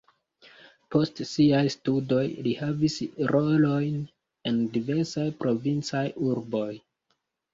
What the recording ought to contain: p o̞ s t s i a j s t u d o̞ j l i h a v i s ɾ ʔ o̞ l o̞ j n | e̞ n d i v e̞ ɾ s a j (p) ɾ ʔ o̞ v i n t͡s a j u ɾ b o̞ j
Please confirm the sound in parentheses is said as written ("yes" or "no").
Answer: yes